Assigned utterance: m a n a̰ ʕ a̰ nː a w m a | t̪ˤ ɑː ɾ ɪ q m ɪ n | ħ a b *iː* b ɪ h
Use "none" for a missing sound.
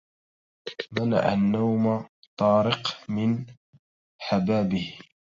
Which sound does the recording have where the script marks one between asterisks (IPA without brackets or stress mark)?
aː